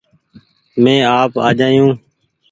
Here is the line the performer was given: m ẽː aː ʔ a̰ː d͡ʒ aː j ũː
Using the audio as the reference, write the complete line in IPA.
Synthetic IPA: m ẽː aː p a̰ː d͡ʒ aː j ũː